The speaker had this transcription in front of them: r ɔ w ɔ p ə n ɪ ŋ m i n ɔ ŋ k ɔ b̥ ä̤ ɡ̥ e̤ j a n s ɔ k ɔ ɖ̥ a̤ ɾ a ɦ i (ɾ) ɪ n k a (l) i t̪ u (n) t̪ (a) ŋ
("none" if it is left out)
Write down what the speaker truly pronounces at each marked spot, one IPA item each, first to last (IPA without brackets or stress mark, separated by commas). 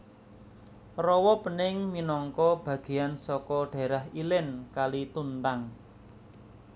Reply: l, l, n, a